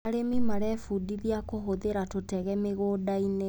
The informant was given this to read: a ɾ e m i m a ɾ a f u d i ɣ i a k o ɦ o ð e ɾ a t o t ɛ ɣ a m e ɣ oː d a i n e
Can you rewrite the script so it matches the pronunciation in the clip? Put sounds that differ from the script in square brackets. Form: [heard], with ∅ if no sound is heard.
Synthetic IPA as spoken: a ɾ e m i m a ɾ [ɛ] f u d i [ð] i a k o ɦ o ð e ɾ a t o t ɛ ɣ [ɛ] m e ɣ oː d a i n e